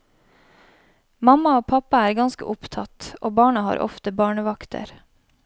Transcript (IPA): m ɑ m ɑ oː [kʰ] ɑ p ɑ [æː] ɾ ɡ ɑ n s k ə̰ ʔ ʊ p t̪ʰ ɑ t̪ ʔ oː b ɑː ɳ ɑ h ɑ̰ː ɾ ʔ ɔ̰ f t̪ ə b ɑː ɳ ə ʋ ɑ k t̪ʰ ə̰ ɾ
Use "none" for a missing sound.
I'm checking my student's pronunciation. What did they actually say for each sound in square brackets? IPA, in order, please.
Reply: pʰ, æː

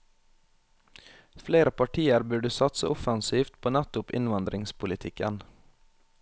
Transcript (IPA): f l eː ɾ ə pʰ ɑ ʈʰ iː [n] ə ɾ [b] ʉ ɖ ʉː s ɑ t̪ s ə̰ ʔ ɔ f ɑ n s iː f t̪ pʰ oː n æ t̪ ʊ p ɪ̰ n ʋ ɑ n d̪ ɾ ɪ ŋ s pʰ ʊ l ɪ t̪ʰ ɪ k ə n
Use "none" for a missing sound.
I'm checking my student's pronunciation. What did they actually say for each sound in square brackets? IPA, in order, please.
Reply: none, b

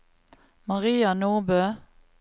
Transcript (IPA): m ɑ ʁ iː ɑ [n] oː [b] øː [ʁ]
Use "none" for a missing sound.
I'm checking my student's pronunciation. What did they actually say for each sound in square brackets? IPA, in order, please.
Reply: n, b, none

